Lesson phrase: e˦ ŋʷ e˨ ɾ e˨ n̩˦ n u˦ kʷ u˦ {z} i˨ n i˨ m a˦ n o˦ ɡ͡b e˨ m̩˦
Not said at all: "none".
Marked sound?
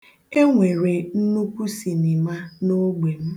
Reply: s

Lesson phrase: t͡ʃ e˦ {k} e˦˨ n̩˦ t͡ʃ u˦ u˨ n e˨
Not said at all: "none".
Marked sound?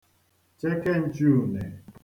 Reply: k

